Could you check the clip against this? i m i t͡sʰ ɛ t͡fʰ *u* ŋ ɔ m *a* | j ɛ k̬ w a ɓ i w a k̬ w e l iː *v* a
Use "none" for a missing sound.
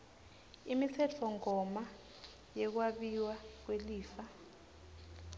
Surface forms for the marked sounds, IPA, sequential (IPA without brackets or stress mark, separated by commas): ɔ, a, f